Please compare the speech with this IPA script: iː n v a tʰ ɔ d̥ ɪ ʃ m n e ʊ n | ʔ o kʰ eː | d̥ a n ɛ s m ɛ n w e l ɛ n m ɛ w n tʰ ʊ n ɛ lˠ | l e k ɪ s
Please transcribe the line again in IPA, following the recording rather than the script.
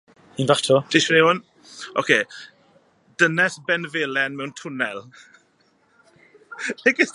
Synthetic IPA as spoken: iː n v a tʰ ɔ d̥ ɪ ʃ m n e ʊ n | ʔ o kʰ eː | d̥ ə n ɛ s b ɛ n v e l ɛ n m ɛ w n tʰ ʊ n ɛ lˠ | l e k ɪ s

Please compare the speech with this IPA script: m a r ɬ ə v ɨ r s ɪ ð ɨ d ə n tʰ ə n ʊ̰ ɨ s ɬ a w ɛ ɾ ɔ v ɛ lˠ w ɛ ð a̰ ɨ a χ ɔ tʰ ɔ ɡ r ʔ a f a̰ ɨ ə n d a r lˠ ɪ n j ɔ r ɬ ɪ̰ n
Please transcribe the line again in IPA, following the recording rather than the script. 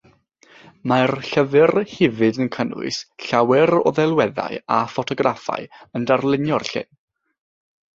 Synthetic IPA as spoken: m a r ɬ ə v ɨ r h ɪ v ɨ d ə n kʰ ə n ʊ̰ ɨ s ɬ a w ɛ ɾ ɔ ð ɛ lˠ w ɛ ð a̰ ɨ a f ɔ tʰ ɔ ɡ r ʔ a f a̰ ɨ ə n d a r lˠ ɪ n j ɔ r ɬ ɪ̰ n

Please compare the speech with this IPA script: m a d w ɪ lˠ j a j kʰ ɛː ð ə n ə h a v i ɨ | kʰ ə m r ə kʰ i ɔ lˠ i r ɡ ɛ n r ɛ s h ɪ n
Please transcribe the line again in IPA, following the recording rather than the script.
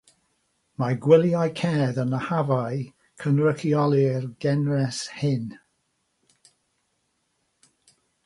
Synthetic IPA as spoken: m a ɡ w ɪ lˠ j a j kʰ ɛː ð ə n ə h a v a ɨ | kʰ ə n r ə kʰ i ɔ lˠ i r ɡ ɛ n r ɛ s h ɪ n

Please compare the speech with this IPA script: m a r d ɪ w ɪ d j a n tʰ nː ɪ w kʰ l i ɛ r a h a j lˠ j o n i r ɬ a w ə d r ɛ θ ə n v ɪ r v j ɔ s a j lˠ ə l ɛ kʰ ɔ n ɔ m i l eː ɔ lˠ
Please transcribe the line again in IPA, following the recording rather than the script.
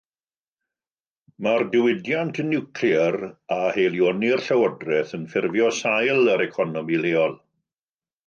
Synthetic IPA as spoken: m a r d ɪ w ɪ d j a n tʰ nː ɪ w kʰ l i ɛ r a h e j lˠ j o n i r ɬ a w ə d r ɛ θ ə n f ɪ r v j ɔ s a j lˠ ə ɾ ɛ kʰ ɔ n ɔ m i l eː ɔ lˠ

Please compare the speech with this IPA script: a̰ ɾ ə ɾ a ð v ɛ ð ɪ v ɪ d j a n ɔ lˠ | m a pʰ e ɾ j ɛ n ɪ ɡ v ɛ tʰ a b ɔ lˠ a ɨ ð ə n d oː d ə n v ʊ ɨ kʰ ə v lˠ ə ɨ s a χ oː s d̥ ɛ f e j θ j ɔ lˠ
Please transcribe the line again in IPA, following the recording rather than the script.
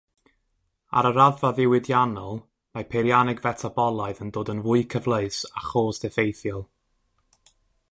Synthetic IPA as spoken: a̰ ɾ ə ɾ a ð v a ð ɪ w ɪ d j a n ɔ lˠ | m a pʰ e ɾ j a n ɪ ɡ v ɛ tʰ a b ɔ lˠ a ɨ ð ə n d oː d ə n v ʊ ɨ kʰ ə v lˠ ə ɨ s a χ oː s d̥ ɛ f e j θ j ɔ lˠ

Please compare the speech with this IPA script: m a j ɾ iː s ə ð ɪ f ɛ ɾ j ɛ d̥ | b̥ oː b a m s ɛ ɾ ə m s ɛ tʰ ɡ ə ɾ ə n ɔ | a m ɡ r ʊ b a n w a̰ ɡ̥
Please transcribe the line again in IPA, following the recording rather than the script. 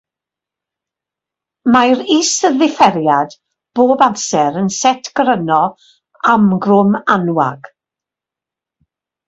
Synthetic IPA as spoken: m a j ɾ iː s ə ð ɪ f ɛ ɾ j a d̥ | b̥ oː b a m s ɛ ɾ ə n s ɛ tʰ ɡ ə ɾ ə n ɔ | a m ɡ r ʊ m a n w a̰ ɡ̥

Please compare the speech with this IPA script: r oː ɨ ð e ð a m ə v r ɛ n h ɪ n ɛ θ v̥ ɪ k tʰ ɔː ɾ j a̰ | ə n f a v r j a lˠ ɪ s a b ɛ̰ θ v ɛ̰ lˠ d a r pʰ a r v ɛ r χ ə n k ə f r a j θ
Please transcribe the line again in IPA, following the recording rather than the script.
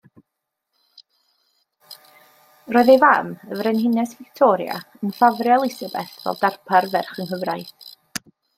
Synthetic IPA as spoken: r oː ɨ ð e v a m ə v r ɛ n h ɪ n ɛ s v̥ ɪ k tʰ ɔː ɾ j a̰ | ə n f a v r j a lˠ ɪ s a b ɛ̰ θ v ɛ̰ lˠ d a r pʰ a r v ɛ r χ ə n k ə v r a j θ

